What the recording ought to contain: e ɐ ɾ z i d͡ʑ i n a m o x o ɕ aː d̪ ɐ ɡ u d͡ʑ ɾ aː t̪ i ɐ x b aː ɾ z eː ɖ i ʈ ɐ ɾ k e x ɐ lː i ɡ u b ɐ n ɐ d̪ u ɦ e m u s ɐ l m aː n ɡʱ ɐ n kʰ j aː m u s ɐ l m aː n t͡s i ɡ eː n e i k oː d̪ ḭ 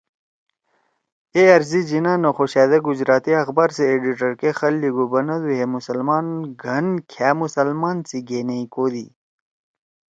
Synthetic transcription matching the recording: e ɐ ɾ z i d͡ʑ i n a n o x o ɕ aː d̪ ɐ ɡ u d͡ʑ ɾ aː t̪ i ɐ x b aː ɾ s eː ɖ i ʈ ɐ ɾ k e x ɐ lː i ɡ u b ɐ n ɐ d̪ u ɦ e m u s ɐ l m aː n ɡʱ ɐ n kʰ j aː m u s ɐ l m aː n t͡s i ɡ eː n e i k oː d̪ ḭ